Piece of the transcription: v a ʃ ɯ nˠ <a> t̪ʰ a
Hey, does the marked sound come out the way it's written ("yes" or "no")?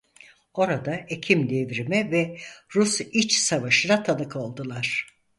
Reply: yes